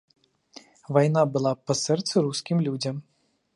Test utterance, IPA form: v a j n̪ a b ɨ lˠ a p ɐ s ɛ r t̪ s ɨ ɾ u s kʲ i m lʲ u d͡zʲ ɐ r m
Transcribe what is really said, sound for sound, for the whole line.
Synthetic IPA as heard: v a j n̪ a b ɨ lˠ a p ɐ s ɛ r t̪ s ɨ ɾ u s kʲ i m lʲ u d͡zʲ ɐ m